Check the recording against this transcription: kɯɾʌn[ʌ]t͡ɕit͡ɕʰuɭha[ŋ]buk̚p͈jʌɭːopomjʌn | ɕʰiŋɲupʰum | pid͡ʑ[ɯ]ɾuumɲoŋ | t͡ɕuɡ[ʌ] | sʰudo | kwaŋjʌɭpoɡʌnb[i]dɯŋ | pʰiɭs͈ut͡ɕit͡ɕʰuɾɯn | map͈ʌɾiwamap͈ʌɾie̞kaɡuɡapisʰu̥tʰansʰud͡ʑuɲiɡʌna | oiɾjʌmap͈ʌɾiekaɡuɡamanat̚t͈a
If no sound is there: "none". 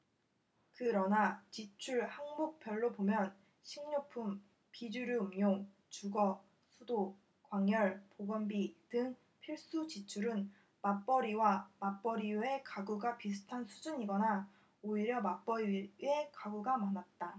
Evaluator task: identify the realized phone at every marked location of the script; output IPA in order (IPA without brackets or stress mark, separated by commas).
a, ŋ, u, ʌ, i